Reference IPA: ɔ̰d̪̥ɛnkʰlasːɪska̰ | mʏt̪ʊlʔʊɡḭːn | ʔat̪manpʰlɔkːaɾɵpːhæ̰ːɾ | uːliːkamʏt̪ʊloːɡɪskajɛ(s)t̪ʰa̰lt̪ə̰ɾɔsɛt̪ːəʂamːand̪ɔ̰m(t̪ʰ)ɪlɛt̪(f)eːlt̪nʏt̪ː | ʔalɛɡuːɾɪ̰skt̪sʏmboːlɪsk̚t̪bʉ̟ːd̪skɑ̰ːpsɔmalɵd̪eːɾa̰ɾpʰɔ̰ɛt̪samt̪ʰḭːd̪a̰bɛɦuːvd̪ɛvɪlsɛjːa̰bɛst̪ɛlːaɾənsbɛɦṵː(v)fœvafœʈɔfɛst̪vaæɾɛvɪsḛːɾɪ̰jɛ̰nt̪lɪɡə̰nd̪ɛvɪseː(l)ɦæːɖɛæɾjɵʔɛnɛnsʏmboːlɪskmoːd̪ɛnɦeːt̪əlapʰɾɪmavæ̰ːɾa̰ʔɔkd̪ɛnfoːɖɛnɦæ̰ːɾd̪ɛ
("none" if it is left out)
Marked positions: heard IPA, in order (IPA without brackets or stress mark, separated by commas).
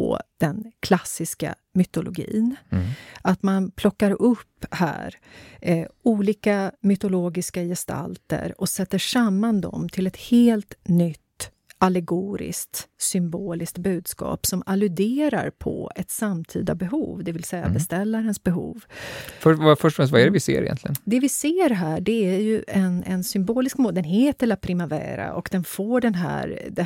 s, t̪ʰ, h, v, ɾ